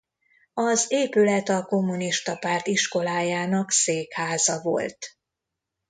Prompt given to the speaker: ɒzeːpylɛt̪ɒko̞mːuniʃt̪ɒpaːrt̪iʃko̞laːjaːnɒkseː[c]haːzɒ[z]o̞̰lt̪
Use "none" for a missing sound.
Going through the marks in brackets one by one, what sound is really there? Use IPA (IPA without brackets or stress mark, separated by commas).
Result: k, v